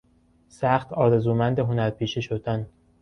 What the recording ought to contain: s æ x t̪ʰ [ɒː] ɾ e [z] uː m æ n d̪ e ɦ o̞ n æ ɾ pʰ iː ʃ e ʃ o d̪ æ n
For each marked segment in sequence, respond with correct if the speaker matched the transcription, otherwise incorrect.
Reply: correct, correct

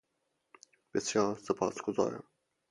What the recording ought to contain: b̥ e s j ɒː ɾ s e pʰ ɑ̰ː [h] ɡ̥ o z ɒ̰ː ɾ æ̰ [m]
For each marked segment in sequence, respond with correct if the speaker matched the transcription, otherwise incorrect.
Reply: incorrect, correct

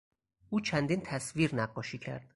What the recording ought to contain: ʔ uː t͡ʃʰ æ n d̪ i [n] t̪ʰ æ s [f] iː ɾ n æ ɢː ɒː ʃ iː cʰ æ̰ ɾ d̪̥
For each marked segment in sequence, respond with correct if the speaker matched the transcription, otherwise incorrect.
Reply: correct, incorrect

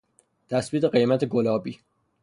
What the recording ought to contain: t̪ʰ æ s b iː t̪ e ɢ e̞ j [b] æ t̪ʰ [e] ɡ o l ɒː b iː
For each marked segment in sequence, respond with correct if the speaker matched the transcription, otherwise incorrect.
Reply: incorrect, correct

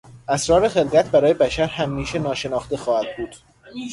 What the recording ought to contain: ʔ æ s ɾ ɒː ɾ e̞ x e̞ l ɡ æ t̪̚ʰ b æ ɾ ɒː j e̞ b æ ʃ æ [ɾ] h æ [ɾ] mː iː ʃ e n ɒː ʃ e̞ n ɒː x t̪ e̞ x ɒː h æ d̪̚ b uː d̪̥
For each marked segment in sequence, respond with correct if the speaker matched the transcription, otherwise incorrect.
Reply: correct, incorrect

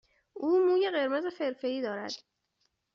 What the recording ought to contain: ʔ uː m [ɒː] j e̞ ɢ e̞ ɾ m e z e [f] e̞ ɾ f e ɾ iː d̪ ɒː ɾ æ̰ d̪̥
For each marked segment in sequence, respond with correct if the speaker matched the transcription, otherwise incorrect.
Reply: incorrect, correct

